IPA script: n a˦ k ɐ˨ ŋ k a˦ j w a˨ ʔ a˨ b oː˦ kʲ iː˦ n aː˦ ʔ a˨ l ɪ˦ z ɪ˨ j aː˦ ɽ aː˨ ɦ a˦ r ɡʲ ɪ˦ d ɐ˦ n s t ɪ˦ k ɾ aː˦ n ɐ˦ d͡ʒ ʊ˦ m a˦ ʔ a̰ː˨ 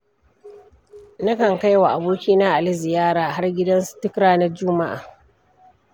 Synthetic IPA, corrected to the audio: n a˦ k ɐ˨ ŋ k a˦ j w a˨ ʔ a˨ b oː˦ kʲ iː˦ n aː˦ ʔ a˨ l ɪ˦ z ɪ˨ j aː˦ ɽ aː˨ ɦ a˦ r ɡʲ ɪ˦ d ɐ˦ n s t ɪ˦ k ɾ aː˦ n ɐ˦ d͡ʒ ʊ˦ m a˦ ʔ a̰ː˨